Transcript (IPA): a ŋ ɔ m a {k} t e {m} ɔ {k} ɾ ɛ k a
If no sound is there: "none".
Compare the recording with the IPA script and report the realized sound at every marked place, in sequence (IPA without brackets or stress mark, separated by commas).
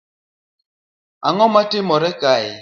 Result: none, m, none